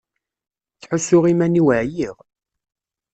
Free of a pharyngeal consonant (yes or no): no